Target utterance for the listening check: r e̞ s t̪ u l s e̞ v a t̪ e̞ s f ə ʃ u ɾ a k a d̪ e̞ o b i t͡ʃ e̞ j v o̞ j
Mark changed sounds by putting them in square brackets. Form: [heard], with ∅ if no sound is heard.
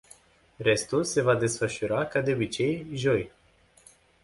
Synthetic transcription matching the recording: r e̞ s t̪ u l s e̞ v a [d̪] e̞ s f ə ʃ u ɾ a k a d̪ e̞ o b i t͡ʃ e̞ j [ʒ] o̞ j